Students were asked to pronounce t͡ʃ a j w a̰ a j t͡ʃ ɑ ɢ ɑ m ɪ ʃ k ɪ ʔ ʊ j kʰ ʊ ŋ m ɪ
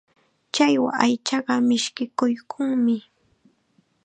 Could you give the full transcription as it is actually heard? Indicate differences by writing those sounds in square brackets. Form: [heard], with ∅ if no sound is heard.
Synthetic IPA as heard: t͡ʃ a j w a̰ a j t͡ʃ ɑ ɢ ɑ m ɪ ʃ k ɪ [k] ʊ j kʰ ʊ ŋ m ɪ